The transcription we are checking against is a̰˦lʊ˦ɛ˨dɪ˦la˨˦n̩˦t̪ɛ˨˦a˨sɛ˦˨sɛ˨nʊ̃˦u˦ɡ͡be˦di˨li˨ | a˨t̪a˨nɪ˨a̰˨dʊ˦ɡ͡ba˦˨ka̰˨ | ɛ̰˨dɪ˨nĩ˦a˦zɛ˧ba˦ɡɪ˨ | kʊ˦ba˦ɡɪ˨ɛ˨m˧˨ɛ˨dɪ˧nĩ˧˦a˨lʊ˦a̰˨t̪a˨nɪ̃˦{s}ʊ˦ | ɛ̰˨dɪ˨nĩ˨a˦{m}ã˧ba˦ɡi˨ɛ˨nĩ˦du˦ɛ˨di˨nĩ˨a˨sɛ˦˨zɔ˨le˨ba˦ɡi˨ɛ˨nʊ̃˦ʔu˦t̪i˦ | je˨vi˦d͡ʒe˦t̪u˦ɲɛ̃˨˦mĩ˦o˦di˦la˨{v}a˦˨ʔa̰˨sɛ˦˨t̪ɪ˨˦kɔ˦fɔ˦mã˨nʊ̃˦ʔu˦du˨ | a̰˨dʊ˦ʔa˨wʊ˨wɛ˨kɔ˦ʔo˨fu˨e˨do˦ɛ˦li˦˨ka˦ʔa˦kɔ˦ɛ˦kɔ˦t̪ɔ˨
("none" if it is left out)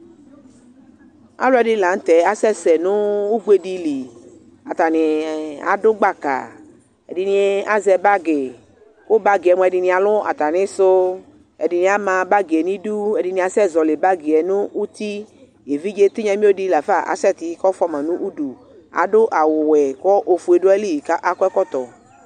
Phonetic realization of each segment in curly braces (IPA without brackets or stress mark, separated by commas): s, m, f